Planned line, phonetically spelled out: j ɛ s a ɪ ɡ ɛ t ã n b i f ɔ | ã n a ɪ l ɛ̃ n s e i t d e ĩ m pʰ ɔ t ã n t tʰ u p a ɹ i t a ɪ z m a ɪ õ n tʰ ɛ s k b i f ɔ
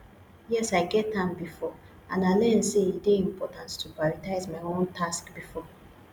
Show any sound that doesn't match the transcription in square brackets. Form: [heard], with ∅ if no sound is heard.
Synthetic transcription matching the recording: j ɛ s a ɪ ɡ ɛ t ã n b i f ɔ | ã n a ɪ l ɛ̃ n s e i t d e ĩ m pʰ ɔ t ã n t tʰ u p a ɹ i t a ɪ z m a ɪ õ n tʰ [a] s k b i f ɔ